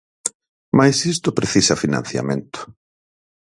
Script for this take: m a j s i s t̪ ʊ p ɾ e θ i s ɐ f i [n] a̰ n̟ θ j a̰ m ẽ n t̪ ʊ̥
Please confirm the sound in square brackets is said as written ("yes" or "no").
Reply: yes